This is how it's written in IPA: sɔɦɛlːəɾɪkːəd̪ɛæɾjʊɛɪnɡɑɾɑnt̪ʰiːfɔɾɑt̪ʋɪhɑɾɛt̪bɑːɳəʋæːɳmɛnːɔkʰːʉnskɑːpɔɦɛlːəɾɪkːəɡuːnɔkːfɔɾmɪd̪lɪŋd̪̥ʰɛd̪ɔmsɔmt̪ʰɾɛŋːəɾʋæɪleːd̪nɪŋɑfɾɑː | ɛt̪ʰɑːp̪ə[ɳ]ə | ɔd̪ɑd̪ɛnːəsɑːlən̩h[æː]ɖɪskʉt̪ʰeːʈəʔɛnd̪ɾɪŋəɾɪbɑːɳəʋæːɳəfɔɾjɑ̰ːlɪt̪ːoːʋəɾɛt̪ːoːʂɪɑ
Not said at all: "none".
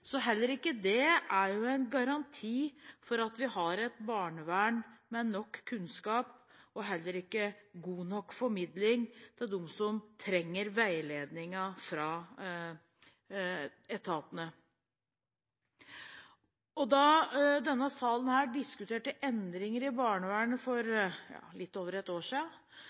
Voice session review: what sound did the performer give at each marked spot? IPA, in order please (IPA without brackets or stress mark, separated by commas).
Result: n, æː